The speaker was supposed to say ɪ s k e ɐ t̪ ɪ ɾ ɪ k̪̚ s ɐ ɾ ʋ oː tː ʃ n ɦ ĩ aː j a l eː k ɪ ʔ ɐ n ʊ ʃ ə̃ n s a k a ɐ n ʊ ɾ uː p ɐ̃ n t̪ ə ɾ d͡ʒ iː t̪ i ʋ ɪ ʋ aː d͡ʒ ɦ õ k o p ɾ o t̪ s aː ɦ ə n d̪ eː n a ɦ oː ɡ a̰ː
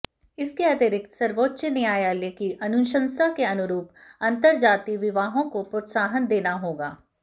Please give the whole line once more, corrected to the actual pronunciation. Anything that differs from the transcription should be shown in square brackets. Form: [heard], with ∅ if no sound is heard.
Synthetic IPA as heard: ɪ s k e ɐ t̪ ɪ ɾ ɪ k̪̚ s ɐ ɾ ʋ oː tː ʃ n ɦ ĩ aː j a l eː k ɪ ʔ ɐ n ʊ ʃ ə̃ n s a k [e] ɐ n ʊ ɾ uː p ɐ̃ n t̪ ə ɾ d͡ʒ [aː] t̪ i ʋ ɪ ʋ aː [∅] ɦ õ k o p ɾ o t̪ s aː ɦ ə n d̪ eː n a ɦ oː ɡ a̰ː